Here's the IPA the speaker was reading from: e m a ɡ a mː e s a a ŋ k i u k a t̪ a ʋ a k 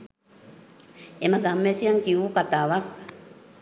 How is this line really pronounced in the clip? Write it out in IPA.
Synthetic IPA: e m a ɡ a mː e s i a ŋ k i u k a t̪ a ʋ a k